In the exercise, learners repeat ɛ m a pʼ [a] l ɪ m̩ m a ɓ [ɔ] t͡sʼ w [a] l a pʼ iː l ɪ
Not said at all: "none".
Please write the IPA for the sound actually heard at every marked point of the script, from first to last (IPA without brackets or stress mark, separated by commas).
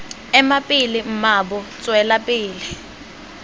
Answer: i, ɔ, ɛ